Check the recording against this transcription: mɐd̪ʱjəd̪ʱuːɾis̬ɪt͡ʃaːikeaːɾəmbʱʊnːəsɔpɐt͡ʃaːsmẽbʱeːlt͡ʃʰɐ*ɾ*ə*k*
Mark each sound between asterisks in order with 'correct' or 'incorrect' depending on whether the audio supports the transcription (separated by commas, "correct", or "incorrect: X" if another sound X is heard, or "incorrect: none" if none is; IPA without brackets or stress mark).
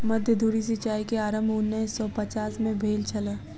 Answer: incorrect: l, incorrect: none